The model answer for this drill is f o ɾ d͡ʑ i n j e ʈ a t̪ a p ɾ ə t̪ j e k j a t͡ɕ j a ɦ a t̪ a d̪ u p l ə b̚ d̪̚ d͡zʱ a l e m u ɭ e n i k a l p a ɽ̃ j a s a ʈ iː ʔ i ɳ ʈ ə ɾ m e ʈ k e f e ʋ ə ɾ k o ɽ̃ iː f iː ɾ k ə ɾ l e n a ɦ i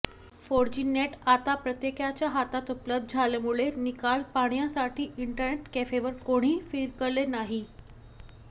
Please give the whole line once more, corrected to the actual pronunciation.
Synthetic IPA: f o ɾ d͡ʑ i n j e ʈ a t̪ a p ɾ ə t̪ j e k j a t͡ɕ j a ɦ a t̪ a t̪ u p l ə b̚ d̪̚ d͡zʱ a l e m u ɭ e n i k a l p a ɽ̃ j a s a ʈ iː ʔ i ɳ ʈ ə ɾ n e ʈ k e f e ʋ ə ɾ k o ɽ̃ iː f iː ɾ k ə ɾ l e n a ɦ i